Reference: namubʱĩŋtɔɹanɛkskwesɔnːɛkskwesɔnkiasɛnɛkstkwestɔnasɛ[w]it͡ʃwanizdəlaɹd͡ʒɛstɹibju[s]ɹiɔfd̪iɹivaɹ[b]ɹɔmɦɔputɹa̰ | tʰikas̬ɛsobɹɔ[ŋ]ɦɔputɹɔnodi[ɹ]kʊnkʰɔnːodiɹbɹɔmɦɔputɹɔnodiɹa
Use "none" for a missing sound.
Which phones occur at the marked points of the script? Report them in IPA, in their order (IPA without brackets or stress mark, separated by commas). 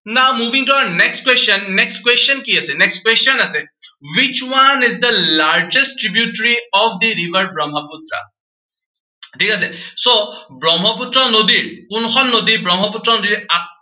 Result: w, t, b, m, ɹ